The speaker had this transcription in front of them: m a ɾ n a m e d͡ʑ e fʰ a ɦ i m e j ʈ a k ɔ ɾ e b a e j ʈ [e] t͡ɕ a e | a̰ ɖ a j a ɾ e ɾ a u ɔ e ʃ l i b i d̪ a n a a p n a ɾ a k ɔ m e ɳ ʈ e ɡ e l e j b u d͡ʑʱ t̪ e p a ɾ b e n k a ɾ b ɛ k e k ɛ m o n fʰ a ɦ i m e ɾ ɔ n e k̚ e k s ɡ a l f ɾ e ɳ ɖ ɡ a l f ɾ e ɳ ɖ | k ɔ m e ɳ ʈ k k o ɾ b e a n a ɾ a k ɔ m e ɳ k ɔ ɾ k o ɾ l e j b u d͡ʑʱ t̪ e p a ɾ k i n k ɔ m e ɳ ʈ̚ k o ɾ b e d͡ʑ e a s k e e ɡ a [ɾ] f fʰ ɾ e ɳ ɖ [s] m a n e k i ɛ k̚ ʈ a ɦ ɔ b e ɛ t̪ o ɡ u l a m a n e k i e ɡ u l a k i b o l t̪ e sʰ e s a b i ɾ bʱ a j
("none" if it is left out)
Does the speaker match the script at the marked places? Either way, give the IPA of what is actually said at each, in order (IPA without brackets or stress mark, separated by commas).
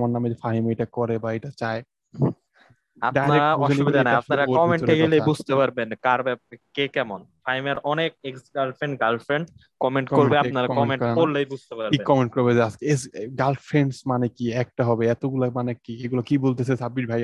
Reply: a, l, s